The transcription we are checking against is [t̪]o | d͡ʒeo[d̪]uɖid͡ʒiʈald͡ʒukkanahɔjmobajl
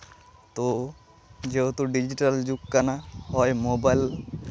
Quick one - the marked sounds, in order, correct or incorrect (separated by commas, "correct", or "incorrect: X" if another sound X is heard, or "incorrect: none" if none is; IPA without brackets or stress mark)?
correct, incorrect: t̪